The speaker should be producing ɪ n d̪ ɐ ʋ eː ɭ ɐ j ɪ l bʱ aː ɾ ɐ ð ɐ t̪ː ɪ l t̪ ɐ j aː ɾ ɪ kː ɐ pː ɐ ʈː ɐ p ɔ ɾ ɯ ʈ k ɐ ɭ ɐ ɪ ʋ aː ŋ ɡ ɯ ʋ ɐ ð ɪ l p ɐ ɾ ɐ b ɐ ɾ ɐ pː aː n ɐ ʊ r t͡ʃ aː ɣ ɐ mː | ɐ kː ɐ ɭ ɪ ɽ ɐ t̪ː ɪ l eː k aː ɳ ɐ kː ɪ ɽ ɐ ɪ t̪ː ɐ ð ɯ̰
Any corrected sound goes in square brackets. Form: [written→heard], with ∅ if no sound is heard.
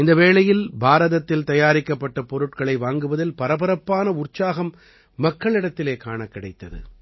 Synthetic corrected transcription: ɪ n d̪ ɐ ʋ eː ɭ ɐ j ɪ l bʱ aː ɾ ɐ ð ɐ t̪ː ɪ l t̪ ɐ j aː ɾ ɪ kː ɐ pː ɐ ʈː ɐ p ɔ ɾ ɯ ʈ k ɐ ɭ ɐ ɪ ʋ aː ŋ ɡ ɯ ʋ ɐ ð ɪ l p ɐ ɾ ɐ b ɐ ɾ ɐ pː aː n ɐ ʊ r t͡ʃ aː ɣ ɐ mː | ɐ kː ɐ ɭ ɪ ɽ ɐ t̪ː ɪ l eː k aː ɳ ɐ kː ɪ ɽ ɐ ɪ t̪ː ɐ ð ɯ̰